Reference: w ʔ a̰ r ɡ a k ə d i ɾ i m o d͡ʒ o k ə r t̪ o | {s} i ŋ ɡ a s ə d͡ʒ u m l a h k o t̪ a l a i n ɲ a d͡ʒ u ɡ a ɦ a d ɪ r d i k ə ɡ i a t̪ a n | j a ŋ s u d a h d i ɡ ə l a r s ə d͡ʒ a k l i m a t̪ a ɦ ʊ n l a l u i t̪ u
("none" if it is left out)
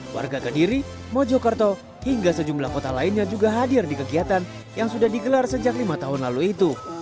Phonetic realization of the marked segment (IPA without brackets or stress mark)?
h